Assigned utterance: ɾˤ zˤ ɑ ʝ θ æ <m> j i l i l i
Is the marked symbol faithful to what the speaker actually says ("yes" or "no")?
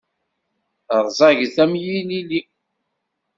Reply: yes